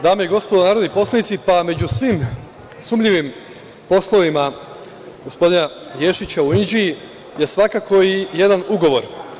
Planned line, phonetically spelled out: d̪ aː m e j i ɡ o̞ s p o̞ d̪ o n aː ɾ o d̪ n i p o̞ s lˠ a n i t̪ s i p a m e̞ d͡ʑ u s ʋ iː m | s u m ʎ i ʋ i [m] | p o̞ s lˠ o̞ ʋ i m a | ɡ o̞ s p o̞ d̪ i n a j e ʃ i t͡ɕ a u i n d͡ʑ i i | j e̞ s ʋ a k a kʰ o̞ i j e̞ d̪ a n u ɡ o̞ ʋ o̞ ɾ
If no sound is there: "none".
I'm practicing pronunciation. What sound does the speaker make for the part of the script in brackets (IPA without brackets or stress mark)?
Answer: m